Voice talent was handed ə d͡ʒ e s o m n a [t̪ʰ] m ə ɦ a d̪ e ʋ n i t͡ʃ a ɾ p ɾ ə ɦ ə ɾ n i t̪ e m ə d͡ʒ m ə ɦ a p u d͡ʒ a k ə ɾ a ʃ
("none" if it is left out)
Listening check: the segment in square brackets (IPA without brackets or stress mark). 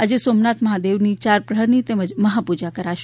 t̪